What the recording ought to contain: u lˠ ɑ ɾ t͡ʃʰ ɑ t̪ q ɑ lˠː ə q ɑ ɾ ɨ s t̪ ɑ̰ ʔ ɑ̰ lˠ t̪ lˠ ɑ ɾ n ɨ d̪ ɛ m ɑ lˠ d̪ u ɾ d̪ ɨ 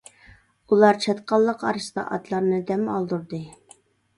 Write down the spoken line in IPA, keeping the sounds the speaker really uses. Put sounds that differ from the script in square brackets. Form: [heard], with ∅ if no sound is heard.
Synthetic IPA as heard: u lˠ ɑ ɾ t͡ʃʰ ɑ t̪ q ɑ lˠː ə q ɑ ɾ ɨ s t̪ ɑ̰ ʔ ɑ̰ [∅] t̪ lˠ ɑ ɾ n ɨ d̪ ɛ m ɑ lˠ d̪ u ɾ d̪ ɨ